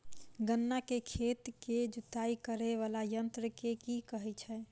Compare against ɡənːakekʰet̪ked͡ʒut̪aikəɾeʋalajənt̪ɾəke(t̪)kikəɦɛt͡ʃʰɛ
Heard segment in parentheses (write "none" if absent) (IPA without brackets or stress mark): none